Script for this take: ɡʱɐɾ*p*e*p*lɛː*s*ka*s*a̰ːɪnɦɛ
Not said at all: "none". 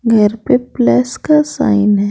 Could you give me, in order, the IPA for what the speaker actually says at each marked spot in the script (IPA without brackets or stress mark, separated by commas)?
p, p, s, s